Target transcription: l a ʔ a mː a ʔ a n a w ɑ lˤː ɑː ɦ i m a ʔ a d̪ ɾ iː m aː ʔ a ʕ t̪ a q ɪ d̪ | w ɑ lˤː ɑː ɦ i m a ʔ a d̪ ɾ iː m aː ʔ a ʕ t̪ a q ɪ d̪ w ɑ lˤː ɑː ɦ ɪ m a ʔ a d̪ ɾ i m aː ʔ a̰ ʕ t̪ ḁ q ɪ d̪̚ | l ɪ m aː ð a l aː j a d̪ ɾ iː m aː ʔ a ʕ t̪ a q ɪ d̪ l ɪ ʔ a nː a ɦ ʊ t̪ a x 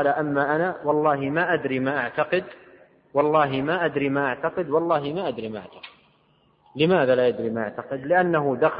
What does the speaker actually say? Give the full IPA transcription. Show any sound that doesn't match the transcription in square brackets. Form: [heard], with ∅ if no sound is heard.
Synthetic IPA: l a ʔ a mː a ʔ a n a w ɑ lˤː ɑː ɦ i m a ʔ a d̪ ɾ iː m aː ʔ a ʕ t̪ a q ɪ d̪ | w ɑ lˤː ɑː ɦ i m a ʔ a d̪ ɾ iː m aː ʔ a ʕ t̪ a q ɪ d̪ w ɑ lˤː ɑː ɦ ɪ m a ʔ a d̪ ɾ i m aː ʔ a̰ ʕ t̪ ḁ q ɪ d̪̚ | l ɪ m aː ð a l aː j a d̪ ɾ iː m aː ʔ a ʕ t̪ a q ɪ d̪ l ɪ ʔ a nː a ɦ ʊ [d̪] a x